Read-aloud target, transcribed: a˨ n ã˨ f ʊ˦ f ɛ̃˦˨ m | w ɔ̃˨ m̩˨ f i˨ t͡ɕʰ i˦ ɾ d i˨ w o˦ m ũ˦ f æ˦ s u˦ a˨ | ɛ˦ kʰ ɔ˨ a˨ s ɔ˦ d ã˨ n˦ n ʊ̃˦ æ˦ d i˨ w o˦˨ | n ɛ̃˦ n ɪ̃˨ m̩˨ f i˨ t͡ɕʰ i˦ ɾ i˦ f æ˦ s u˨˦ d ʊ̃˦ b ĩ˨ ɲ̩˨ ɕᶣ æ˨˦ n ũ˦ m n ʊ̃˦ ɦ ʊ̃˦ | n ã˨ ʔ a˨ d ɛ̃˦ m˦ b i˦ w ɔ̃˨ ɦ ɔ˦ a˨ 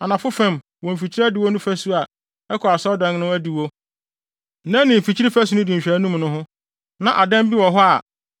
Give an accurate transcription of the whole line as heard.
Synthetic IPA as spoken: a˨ n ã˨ f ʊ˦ f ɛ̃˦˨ m | w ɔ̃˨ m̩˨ f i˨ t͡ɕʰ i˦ ɾ d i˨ w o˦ n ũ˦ f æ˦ s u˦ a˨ | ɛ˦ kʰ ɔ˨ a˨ s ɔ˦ d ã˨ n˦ n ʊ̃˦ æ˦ d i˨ w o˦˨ | n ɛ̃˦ n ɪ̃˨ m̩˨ f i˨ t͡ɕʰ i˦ ɾ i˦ f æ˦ s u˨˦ n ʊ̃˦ d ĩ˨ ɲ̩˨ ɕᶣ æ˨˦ n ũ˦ m n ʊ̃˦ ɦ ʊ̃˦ | n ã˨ ʔ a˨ d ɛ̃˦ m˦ b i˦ w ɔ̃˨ ɦ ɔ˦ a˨

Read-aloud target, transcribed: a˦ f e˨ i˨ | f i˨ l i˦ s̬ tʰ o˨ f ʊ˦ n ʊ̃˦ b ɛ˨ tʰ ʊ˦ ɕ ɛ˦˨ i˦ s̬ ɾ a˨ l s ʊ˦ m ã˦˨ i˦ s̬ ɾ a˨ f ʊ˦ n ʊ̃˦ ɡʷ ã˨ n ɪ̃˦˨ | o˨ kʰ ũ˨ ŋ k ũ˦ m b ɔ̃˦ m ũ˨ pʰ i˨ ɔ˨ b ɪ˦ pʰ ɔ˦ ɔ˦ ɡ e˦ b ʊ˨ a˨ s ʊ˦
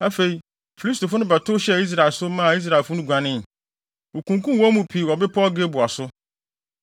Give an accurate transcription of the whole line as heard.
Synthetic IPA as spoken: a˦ f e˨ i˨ | f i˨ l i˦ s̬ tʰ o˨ f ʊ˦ n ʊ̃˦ b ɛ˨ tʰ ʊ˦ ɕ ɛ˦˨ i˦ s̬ ɾ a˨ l s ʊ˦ m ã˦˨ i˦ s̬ ɾ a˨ f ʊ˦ n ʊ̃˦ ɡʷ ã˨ n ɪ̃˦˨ | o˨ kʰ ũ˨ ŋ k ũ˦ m w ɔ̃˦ m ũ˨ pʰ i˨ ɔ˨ b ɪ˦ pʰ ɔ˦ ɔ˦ ɡ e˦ b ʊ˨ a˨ s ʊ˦

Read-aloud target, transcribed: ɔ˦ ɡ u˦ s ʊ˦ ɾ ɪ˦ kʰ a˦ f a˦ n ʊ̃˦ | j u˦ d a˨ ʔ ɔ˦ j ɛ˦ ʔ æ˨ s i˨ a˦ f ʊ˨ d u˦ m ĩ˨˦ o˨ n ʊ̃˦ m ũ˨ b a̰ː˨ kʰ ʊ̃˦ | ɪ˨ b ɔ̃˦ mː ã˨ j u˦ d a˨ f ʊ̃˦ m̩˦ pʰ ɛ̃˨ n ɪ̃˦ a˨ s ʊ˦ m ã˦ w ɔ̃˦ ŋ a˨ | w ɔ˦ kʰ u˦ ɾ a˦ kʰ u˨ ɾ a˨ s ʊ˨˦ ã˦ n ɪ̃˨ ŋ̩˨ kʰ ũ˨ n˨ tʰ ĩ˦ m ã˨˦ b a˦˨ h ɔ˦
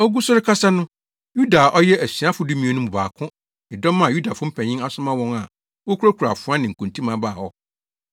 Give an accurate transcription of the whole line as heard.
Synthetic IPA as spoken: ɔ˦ ɡ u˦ s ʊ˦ ɾ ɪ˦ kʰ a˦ s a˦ n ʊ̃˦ | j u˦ d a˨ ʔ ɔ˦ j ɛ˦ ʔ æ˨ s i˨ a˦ f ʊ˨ d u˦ m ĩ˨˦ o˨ n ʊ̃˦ m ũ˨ b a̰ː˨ kʰ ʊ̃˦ | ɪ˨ d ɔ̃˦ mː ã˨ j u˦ d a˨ f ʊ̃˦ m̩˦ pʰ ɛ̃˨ ɲ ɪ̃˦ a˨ s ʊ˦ m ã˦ w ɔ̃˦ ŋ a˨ | w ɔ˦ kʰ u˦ ɾ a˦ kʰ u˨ ɾ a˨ f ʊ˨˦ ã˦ n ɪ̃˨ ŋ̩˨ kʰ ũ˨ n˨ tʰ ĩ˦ m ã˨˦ b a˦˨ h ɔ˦

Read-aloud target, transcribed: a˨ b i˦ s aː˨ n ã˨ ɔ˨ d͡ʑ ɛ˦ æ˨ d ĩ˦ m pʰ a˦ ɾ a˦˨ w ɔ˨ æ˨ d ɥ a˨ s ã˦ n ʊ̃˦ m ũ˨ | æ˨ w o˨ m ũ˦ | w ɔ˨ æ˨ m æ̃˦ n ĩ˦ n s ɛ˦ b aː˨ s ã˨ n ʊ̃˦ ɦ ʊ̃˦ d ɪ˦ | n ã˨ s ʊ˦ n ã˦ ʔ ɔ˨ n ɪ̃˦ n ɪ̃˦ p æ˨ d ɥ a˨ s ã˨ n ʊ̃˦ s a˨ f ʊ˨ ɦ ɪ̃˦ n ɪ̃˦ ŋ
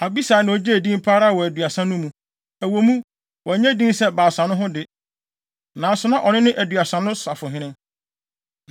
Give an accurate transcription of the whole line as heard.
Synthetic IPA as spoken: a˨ b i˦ s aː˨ n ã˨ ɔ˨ d͡ʑ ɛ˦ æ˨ d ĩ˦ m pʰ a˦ ɾ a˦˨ w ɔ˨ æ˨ d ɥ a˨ s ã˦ n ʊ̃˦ m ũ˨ | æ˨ w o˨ m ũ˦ | w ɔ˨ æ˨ ɲ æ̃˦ d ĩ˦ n s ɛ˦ b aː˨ s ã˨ n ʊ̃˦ ɦ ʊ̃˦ d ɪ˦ | n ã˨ s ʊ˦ n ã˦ ʔ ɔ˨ n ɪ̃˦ n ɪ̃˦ ʔ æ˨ d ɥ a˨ s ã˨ n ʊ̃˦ s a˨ f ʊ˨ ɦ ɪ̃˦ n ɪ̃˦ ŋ

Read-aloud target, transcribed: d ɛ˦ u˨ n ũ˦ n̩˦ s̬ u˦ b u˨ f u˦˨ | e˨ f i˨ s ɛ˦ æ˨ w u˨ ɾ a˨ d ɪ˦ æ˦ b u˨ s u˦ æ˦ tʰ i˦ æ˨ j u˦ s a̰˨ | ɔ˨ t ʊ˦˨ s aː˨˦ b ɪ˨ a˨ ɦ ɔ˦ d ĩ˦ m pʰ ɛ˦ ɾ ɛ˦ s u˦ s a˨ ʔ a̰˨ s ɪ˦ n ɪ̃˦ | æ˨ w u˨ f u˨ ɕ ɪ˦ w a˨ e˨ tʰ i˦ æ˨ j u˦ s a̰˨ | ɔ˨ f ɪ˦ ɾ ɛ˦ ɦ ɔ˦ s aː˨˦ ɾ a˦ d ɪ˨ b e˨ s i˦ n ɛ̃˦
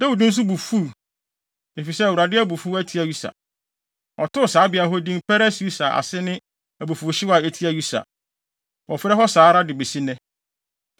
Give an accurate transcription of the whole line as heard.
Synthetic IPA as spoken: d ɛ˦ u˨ d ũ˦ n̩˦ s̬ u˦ b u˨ f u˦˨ | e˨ f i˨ s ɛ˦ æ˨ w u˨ ɾ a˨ d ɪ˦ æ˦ b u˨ f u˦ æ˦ tʰ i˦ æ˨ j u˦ s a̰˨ | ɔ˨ t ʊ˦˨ s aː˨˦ b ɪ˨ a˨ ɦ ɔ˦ d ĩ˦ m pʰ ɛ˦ ɾ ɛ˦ s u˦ s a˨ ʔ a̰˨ s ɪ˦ n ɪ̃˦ | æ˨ b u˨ f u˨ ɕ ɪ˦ w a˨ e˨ tʰ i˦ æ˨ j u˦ s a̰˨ | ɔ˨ f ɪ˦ ɾ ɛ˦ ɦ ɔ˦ s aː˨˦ ɾ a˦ d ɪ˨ b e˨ s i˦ n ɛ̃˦

